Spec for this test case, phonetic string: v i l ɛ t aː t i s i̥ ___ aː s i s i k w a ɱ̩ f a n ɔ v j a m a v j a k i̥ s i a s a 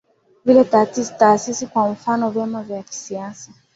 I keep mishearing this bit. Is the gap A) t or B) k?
A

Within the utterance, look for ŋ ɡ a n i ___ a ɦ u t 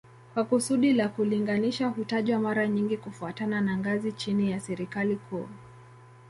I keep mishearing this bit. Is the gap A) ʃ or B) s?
A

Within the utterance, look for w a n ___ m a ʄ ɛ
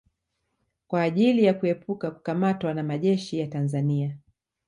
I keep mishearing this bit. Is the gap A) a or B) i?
A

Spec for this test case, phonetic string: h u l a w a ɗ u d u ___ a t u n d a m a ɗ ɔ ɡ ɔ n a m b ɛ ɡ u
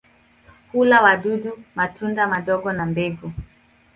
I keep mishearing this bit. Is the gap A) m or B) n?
A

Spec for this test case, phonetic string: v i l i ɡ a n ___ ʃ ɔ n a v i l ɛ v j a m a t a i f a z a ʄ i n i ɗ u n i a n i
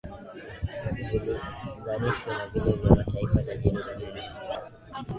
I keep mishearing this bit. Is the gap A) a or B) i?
B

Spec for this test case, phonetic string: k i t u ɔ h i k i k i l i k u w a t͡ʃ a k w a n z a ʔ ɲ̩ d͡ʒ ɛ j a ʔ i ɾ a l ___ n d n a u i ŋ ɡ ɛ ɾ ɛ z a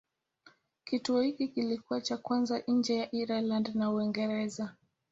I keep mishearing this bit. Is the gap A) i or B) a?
B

